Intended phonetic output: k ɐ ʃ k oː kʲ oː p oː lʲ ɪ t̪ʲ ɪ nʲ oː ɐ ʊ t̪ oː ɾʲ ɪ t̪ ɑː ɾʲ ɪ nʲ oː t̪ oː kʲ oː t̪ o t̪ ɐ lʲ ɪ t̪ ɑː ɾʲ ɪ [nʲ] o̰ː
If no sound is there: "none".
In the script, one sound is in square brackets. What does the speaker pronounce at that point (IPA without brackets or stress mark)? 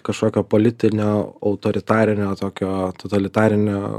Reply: nʲ